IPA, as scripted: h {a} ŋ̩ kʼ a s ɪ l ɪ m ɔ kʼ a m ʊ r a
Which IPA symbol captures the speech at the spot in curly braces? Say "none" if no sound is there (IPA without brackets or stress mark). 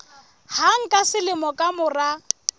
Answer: a